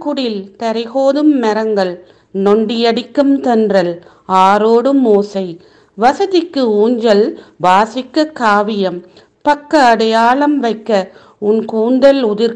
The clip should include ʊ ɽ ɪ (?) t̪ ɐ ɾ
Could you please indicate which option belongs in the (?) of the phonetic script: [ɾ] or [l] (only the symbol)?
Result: l